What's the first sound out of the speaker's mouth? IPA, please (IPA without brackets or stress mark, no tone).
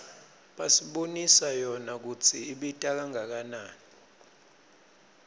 ɓ